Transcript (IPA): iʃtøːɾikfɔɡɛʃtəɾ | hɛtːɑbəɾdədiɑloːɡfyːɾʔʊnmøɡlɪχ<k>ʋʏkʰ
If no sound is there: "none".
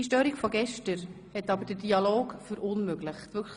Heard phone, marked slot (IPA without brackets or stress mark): t